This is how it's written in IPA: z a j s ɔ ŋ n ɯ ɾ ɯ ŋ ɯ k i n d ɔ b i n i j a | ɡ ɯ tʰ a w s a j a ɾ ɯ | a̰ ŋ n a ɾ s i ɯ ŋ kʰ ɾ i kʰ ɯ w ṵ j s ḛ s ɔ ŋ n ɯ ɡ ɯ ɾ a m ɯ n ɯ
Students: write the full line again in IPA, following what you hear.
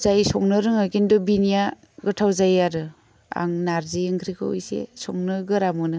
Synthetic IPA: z a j s ɔ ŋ n ɯ ɾ ɯ ŋ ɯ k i n d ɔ b i n i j a | ɡ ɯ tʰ a w z a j a ɾ ɯ | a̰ ŋ n a ɾ z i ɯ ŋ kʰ ɾ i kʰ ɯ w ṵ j s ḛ s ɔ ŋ n ɯ ɡ ɯ ɾ a m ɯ n ɯ